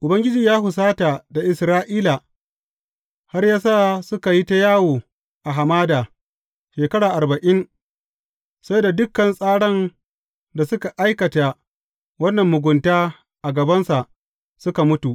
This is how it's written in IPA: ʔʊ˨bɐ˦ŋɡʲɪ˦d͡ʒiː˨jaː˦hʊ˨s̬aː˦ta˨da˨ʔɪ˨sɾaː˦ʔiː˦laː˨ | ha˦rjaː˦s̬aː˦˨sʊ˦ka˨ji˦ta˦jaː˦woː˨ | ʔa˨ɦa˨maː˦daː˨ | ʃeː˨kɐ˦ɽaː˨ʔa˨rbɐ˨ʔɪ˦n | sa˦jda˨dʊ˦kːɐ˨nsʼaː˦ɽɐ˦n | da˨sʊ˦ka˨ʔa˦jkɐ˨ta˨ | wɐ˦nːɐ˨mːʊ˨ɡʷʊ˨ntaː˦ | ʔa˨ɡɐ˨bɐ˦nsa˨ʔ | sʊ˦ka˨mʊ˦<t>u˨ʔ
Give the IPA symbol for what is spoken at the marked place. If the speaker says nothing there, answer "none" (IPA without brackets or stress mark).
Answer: t